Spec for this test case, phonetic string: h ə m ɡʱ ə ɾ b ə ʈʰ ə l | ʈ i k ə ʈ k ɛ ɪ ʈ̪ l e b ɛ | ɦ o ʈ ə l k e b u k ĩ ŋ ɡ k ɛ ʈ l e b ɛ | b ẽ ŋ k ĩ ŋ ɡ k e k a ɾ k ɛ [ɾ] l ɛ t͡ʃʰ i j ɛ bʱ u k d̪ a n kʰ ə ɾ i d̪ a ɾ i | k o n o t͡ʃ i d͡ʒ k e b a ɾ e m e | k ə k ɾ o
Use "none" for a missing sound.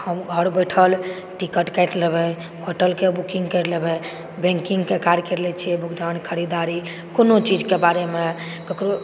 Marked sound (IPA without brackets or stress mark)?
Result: ɾ